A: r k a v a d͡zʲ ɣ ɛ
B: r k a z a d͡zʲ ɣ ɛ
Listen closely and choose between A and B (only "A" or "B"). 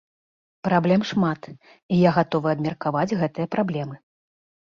A